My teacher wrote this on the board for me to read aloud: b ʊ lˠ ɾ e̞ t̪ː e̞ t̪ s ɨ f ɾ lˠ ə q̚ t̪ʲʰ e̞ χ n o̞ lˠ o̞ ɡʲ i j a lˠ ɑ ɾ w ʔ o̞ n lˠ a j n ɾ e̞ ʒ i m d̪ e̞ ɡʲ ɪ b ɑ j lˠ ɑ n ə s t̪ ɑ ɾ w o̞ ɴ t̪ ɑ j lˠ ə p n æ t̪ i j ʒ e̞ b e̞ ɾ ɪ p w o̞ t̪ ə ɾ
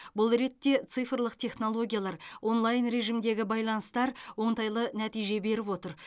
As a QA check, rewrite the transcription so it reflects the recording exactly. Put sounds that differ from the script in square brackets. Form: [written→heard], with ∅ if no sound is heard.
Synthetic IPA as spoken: b ʊ lˠ ɾ e̞ t̪ː e̞ t̪ s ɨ f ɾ lˠ ə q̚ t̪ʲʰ e̞ χ n o̞ lˠ o̞ ɡʲ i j a lˠ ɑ ɾ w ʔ o̞ n lˠ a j n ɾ e̞ ʒ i m d̪ e̞ ɡʲ ɪ b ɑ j lˠ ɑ n ə s t̪ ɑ ɾ w o̞ ɴ t̪ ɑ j lˠ ə [p→∅] n æ t̪ i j ʒ e̞ b e̞ ɾ ɪ p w o̞ t̪ ə ɾ

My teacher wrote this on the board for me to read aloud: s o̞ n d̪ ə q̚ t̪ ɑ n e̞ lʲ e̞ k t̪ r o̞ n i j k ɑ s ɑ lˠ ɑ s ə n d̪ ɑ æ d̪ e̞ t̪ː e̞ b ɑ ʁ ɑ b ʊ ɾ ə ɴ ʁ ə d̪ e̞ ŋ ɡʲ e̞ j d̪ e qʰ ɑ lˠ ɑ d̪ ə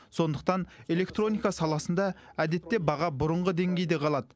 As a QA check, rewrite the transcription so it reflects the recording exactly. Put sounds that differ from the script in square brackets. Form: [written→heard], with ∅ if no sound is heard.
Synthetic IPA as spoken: s o̞ n d̪ ə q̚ t̪ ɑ n e̞ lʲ e̞ k t̪ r o̞ n i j k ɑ s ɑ lˠ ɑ s ə n d̪ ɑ æ d̪ e̞ t̪ː e̞ b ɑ ʁ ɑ b ʊ ɾ ə ɴ ʁ ə d̪ e̞ ŋ ɡʲ e̞ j d̪ e qʰ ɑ lˠ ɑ d̪ ə

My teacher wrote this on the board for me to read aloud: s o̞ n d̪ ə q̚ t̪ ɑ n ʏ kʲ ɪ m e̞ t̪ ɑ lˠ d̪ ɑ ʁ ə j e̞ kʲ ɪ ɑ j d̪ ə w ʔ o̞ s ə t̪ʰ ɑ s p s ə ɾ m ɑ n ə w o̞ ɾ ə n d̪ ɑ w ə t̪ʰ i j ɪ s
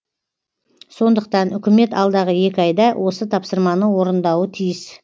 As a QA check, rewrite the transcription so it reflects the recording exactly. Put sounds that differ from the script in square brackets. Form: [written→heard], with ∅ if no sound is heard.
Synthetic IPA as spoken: s o̞ n d̪ ə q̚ t̪ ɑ n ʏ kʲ ɪ m e̞ t̪ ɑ lˠ d̪ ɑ ʁ ə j e̞ kʲ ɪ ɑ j d̪ [ə→ɑ] w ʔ o̞ s ə t̪ʰ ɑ [s→∅] p s ə ɾ m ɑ n ə w o̞ ɾ ə n d̪ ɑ w ə t̪ʰ i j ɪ s

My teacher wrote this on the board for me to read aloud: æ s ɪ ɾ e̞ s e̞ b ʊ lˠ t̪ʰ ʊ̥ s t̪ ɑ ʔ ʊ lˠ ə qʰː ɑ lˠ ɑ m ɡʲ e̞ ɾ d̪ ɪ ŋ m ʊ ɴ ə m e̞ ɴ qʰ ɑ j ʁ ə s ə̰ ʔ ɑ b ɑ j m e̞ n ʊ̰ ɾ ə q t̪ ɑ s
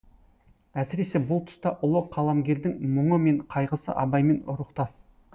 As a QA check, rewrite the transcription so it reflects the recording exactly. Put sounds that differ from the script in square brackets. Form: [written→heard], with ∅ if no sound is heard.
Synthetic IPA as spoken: æ s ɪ ɾ e̞ s e̞ b ʊ lˠ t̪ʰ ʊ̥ s t̪ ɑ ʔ ʊ lˠ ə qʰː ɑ lˠ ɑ m ɡʲ e̞ ɾ d̪ ɪ ŋ m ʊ ɴ ə m e̞ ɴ qʰ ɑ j ʁ ə s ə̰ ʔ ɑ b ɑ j m e̞ n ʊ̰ ɾ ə q t̪ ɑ s

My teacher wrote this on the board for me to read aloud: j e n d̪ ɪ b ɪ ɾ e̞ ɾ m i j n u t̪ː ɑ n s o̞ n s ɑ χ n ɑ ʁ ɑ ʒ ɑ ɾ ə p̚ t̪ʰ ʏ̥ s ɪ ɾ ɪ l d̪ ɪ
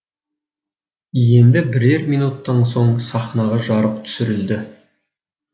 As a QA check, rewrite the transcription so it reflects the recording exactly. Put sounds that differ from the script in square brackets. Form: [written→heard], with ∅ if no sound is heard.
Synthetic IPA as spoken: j e n d̪ ɪ b ɪ ɾ e̞ ɾ m i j n u t̪ː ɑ n s o̞ [n→ɴ] s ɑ χ n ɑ ʁ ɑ ʒ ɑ ɾ ə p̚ t̪ʰ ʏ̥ s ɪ ɾ ɪ l d̪ ɪ

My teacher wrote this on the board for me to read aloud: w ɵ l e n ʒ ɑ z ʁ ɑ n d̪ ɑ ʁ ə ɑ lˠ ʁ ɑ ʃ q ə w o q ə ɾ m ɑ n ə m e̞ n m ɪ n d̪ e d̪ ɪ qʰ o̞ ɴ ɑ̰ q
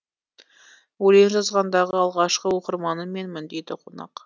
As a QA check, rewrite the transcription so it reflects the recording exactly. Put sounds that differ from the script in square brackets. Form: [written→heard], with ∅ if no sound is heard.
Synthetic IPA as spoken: w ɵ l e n ʒ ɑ z ʁ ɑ n d̪ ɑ ʁ ə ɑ lˠ ʁ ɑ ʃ q ə w o q ə ɾ m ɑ n ə m e̞ n m ɪ n d̪ e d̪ ɪ qʰ o̞ [ɴ→n] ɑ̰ q

